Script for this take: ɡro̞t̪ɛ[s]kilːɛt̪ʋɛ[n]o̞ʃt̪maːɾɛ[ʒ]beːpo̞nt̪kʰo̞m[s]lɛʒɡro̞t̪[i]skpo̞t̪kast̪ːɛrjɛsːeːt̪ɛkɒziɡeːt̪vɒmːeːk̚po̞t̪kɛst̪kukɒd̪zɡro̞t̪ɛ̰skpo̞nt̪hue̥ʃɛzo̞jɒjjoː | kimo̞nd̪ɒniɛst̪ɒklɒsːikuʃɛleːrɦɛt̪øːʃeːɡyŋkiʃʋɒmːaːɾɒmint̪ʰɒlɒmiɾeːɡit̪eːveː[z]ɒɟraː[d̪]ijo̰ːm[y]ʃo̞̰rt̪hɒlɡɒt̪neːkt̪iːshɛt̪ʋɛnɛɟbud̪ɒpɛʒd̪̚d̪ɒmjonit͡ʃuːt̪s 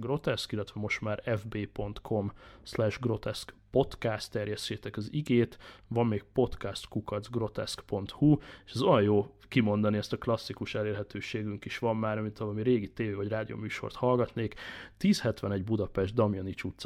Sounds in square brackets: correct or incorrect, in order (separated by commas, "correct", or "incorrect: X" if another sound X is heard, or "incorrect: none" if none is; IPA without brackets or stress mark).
correct, incorrect: m, incorrect: v, correct, incorrect: ɛ, incorrect: v, correct, incorrect: yː